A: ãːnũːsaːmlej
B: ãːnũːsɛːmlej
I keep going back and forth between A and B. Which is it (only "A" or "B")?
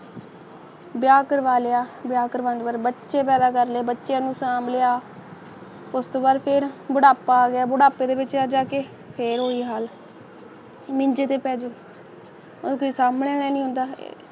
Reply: A